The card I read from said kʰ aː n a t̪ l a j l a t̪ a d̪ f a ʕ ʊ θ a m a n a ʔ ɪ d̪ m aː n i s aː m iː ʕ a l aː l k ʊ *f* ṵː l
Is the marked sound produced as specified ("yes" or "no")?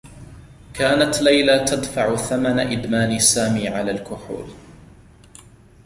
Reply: no